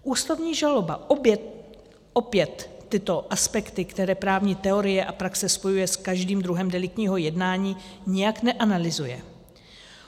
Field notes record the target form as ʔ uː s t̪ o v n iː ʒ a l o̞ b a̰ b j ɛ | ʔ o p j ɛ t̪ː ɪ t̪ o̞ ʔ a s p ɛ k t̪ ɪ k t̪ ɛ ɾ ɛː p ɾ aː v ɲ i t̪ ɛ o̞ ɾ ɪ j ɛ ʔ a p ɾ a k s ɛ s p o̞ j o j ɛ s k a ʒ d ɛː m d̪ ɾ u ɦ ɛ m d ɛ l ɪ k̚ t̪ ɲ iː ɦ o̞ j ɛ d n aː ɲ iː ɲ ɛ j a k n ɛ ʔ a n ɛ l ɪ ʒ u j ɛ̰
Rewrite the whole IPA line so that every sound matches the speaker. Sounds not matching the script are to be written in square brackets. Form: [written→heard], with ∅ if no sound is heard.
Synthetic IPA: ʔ uː s t̪ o v [n→ɲ] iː ʒ a l o̞ b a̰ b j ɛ | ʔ o p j ɛ t̪ː ɪ t̪ o̞ ʔ a s p ɛ k t̪ ɪ k t̪ ɛ ɾ ɛː p ɾ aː v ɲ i t̪ ɛ o̞ ɾ ɪ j ɛ ʔ a p ɾ a k s ɛ s p o̞ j [o→u] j ɛ s k a ʒ d [ɛː→iː] m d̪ ɾ u ɦ ɛ m d ɛ l ɪ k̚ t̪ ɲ iː ɦ o̞ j ɛ d n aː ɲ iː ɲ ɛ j a k n ɛ ʔ a n [ɛ→a] l ɪ [ʒ→z] u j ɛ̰